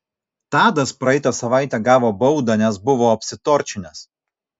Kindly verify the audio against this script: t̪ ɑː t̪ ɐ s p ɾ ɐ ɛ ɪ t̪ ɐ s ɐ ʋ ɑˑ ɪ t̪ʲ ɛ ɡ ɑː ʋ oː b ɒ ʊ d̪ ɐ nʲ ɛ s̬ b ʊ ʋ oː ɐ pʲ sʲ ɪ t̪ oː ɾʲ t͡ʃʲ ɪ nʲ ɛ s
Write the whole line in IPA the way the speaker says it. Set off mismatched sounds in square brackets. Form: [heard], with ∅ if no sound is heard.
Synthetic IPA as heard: t̪ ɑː [d̪] ɐ s p ɾ ɐ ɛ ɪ t̪ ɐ s ɐ ʋ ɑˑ ɪ t̪ʲ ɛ ɡ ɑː ʋ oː b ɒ ʊ d̪ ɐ nʲ ɛ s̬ b ʊ ʋ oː ɐ pʲ sʲ ɪ t̪ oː ɾʲ t͡ʃʲ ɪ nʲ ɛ s